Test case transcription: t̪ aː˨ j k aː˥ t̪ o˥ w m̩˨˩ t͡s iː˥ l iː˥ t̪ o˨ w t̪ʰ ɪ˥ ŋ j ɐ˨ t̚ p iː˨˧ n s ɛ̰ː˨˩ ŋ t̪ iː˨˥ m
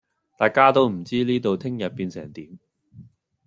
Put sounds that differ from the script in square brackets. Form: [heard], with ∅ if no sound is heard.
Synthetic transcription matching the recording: t̪ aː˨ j k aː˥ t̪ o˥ w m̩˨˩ t͡s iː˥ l iː˥ t̪ o˨ w t̪ʰ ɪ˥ ŋ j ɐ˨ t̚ p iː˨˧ n s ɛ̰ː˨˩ ŋ t̪ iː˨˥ m